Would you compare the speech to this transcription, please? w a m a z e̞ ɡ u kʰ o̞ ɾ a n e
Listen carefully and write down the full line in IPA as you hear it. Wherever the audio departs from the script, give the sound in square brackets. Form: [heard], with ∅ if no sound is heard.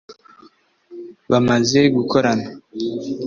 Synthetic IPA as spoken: [β] a m a z e̞ ɡ u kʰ o̞ ɾ a n [a]